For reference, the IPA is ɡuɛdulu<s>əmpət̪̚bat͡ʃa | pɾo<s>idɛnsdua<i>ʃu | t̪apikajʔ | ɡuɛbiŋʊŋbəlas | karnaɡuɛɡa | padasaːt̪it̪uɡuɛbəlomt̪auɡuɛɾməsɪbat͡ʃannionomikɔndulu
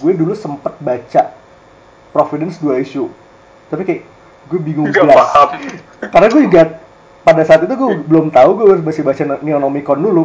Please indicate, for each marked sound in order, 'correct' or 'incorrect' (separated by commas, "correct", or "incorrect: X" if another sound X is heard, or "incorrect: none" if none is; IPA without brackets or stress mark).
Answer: correct, incorrect: f, correct